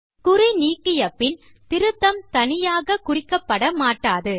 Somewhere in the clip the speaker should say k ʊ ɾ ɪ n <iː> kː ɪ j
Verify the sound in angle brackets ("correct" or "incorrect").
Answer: correct